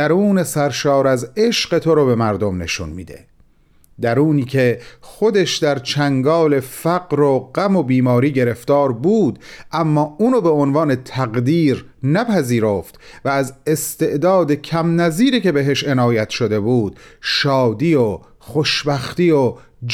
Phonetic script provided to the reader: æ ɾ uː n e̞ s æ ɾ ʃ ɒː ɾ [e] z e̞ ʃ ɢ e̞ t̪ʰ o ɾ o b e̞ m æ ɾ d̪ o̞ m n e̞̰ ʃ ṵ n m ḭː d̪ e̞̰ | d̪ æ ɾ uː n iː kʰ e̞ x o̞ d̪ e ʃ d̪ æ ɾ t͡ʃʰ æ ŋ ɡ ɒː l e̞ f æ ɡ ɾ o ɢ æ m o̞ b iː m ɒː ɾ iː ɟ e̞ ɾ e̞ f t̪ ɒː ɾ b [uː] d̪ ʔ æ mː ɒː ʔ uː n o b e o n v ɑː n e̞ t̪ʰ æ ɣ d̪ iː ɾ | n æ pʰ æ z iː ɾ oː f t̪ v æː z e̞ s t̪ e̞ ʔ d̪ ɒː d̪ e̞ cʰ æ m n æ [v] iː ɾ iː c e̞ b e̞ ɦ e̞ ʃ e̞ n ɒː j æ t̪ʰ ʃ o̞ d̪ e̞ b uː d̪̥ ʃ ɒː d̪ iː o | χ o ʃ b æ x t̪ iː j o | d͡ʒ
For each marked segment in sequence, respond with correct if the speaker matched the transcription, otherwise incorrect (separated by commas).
incorrect, correct, incorrect